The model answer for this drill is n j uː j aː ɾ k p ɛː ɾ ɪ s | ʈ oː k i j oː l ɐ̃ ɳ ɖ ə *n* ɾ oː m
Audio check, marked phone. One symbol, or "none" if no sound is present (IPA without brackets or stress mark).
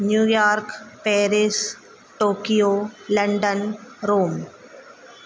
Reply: n